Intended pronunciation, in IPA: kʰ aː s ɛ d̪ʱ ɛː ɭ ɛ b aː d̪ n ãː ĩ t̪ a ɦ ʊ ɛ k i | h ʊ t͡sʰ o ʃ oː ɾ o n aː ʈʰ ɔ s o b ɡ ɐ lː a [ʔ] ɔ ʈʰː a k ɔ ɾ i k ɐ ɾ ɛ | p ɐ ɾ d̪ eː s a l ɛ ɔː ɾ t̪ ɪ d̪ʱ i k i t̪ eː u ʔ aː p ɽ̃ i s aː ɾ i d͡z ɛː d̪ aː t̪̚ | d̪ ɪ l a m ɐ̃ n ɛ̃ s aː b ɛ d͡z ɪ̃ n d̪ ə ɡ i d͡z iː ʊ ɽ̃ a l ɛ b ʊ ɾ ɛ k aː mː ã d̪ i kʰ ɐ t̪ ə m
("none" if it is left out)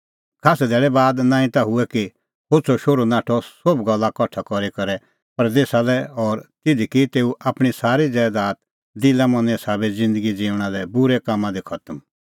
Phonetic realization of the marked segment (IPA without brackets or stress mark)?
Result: k